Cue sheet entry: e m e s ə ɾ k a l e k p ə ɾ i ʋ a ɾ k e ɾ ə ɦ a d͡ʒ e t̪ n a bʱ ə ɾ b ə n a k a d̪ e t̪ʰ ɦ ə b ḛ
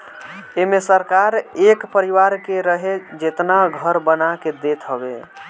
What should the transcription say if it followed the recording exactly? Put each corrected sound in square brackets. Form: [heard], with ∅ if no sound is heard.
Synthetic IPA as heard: e m e s ə ɾ k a [ɾ] e k p ə ɾ i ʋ a ɾ k e ɾ ə ɦ [e] d͡ʒ e t̪ n a [ɡʱ] ə ɾ b ə n a k [e] d̪ e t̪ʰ ɦ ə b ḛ

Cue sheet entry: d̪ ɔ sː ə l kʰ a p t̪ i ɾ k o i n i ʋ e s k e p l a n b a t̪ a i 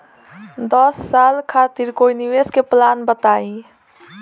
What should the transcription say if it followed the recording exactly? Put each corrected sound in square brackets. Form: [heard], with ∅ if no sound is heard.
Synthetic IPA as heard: d̪ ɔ sː [a] l kʰ a [∅] t̪ i ɾ k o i n i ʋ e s k e p l a n b [ə] t̪ a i

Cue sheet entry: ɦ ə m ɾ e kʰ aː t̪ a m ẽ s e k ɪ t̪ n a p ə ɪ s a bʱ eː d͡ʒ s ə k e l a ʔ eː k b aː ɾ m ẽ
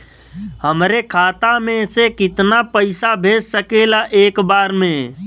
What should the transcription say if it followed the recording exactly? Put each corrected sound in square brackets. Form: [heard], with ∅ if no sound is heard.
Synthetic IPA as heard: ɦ ə m ɾ e kʰ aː t̪ a m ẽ s e k ɪ t̪ n a p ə ɪ s a bʱ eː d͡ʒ s ə k e l a ʔ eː k b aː ɾ m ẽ

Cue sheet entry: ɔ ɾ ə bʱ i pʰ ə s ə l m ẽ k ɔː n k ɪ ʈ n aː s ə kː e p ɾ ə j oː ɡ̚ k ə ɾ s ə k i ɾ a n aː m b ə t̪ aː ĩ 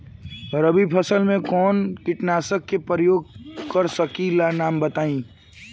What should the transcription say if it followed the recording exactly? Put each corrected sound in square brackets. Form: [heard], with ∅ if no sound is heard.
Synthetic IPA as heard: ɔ ɾ ə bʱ i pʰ ə s ə l m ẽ k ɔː n k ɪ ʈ n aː s ə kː e p ɾ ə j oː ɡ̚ k ə ɾ s ə k i [l] a n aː m b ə t̪ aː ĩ

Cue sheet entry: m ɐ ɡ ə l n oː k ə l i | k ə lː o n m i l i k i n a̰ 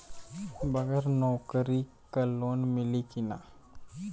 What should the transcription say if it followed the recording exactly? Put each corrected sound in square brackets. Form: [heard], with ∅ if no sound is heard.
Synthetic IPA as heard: [b] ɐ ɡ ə [ɾ] n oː k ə [ɾ] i | k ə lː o n m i l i k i n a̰

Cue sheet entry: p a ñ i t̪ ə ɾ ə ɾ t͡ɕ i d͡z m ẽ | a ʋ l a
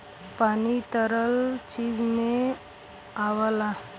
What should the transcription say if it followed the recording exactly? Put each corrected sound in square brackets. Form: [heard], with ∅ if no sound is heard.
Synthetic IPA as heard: p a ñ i t̪ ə ɾ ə [l] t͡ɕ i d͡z m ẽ | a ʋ l a

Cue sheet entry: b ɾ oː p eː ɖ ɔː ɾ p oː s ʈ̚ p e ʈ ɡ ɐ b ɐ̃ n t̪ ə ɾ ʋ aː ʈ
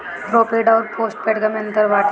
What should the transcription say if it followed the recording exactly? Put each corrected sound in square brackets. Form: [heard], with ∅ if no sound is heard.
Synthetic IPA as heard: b ɾ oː p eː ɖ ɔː ɾ p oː s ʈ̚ p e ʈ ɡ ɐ [m] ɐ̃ n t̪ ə ɾ ʋ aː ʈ

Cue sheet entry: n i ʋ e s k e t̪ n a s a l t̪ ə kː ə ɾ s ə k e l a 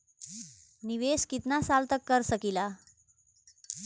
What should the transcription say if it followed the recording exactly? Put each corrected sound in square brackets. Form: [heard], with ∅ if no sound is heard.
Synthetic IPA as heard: n i ʋ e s k [i] t̪ n a s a l t̪ ə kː ə ɾ s ə k [i] l a

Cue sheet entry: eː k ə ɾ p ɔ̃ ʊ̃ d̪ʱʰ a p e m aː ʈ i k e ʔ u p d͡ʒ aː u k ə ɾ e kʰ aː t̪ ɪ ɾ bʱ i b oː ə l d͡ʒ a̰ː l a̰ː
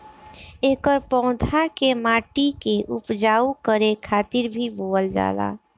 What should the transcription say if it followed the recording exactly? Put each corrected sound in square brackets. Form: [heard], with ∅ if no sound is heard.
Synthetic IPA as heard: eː k ə ɾ p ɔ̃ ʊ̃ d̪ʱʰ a [k] e m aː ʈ i k e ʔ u p d͡ʒ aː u k ə ɾ e kʰ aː t̪ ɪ ɾ bʱ i b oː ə l d͡ʒ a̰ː l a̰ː

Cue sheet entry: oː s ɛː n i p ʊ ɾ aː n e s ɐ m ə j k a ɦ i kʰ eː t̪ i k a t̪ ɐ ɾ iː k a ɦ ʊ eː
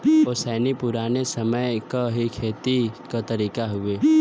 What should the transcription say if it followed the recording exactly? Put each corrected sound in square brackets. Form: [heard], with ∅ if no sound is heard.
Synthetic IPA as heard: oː s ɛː n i p ʊ ɾ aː n e s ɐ m ə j k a ɦ i kʰ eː t̪ i k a t̪ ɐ ɾ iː k a ɦ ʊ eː

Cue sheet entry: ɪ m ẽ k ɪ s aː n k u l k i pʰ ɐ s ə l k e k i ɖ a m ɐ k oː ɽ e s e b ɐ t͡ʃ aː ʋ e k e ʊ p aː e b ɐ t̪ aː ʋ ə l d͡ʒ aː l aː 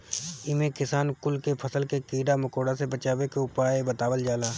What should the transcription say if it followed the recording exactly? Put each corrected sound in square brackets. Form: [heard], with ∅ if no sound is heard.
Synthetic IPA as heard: ɪ m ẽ k ɪ s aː n k [ʊ] l k [e] pʰ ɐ s ə l k e k [iː] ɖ a m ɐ k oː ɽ [a] s e b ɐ t͡ʃ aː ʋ e k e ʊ p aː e b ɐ t̪ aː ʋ ə l d͡ʒ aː l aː

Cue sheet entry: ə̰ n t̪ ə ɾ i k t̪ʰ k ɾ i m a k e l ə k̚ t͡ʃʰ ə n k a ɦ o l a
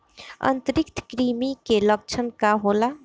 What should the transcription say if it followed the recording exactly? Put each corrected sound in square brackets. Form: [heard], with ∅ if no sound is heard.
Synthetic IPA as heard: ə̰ n t̪ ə ɾ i k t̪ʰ k ɾ i m [i] k e l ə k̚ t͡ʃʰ ə n k a ɦ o l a

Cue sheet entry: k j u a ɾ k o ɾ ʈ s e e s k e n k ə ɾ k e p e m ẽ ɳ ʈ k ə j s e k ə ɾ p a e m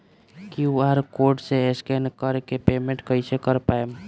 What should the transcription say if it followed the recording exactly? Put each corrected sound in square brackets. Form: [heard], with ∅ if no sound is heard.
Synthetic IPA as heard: k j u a ɾ k o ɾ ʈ s e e s k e n k ə ɾ k e p e m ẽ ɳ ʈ k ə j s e k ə ɾ p a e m

